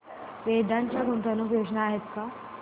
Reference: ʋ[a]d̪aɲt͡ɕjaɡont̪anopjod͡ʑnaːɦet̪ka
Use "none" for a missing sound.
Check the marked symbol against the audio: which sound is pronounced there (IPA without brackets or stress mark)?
e